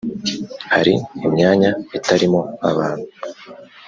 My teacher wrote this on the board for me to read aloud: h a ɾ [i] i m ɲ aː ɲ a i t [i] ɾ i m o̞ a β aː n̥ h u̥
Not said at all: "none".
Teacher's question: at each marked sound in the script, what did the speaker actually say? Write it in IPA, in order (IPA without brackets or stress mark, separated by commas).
i, a